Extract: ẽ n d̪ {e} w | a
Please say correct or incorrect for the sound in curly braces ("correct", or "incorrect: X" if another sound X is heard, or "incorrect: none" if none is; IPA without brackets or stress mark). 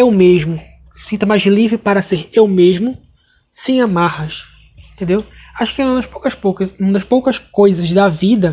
correct